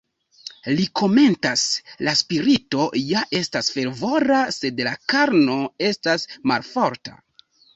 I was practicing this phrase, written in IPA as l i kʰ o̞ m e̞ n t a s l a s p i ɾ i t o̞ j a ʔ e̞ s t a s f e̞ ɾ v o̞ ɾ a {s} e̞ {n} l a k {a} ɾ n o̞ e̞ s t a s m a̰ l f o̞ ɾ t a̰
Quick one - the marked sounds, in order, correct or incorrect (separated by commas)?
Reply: correct, incorrect, correct